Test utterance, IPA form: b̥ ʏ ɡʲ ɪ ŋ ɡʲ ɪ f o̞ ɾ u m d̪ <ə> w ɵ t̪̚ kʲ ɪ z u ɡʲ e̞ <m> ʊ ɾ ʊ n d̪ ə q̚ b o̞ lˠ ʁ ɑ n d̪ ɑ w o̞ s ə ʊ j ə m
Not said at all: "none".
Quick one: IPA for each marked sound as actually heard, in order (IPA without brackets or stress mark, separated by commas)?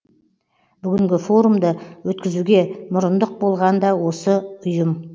ə, m